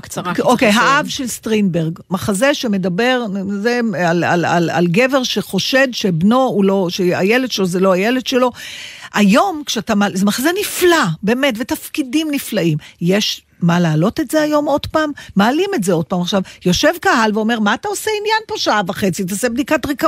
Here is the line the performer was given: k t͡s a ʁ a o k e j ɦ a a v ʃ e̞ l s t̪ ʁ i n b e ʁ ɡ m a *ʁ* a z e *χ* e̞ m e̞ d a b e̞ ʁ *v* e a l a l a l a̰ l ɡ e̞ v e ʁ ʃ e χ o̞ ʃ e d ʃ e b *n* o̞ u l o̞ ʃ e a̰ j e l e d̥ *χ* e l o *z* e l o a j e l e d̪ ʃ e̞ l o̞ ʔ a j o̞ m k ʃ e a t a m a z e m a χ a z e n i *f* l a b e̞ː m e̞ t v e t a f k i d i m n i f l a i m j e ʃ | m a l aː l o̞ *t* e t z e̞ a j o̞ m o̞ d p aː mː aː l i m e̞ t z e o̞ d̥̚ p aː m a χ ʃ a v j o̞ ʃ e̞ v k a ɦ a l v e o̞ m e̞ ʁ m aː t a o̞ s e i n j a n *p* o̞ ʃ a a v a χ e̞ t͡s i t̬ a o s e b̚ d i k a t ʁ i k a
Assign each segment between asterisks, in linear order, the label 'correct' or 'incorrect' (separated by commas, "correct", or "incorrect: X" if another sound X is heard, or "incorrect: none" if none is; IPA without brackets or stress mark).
incorrect: χ, incorrect: ʃ, incorrect: z, correct, incorrect: ʃ, correct, correct, correct, correct